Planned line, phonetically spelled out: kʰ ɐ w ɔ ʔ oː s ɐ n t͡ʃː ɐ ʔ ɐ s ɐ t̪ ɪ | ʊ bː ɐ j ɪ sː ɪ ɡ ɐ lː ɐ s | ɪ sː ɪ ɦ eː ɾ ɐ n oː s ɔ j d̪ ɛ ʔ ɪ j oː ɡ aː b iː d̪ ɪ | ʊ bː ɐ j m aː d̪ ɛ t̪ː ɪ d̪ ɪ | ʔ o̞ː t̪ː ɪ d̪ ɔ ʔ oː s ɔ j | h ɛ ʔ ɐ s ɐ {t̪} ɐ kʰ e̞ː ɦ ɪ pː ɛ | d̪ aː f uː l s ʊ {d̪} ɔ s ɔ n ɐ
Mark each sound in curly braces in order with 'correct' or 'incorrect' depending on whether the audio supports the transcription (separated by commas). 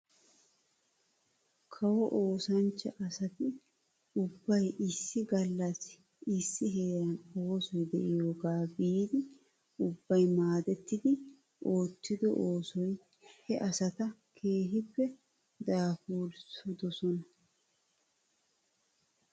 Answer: correct, correct